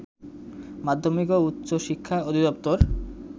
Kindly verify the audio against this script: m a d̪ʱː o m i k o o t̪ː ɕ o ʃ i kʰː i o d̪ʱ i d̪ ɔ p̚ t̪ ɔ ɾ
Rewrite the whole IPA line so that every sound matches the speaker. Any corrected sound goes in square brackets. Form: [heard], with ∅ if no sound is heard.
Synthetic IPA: m a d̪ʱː o m i k o [u] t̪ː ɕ o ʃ i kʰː [a] o d̪ʱ i d̪ ɔ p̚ t̪ [o] ɾ